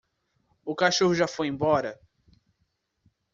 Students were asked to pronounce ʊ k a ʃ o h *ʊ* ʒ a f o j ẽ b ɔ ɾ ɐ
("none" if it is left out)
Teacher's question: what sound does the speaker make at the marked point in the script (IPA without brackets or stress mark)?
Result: ʊ